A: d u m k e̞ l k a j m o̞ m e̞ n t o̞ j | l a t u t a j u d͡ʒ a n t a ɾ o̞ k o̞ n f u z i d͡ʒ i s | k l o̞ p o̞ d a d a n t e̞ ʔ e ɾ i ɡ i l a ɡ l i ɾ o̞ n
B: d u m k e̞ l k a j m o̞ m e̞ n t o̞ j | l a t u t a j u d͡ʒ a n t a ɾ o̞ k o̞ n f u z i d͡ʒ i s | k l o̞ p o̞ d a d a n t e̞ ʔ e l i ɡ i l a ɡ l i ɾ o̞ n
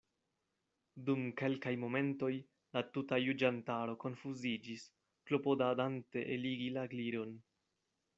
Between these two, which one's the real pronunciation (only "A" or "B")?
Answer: B